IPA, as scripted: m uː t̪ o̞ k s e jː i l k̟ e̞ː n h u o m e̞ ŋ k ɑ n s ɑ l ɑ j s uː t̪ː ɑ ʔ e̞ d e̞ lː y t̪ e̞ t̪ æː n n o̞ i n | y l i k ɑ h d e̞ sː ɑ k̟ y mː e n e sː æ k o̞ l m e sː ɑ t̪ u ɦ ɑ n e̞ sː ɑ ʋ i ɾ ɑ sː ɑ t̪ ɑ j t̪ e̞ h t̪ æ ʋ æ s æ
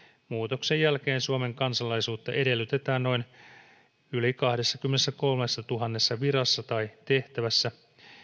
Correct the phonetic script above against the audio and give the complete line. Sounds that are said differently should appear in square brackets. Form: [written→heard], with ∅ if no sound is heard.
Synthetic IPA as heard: m uː t̪ o̞ k s e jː [i→æ] l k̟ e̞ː n [h→s] u o m e̞ ŋ k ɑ n s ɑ l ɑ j s uː t̪ː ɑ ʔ e̞ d e̞ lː y t̪ e̞ t̪ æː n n o̞ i n | y l i k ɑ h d e̞ sː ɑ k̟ y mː e n e sː æ k o̞ l m e sː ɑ t̪ u ɦ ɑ [n→nː] e̞ sː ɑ ʋ i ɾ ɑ sː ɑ t̪ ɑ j t̪ e̞ h t̪ æ ʋ æ [s→sː] æ